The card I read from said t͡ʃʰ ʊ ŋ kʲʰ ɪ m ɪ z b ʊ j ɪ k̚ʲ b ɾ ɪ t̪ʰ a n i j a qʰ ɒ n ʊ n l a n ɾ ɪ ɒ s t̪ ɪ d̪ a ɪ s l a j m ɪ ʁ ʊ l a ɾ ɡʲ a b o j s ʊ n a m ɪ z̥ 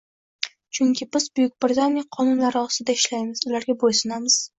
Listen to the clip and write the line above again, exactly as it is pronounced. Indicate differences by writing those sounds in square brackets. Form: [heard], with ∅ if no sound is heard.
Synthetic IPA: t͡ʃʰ ʊ ŋ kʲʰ ɪ [b] ɪ z b ʊ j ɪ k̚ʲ b ɾ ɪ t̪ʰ a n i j a qʰ ɒ n ʊ n l a [∅] ɾ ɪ ɒ s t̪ ɪ d̪ a ɪ [ʃ] l a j m ɪ [z] ʊ l a ɾ ɡʲ a b o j s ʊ n a m ɪ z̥